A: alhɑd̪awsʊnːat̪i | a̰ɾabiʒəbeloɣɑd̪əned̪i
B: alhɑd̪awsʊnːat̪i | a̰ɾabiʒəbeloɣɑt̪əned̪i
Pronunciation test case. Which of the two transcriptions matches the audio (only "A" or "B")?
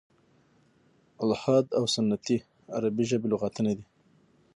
B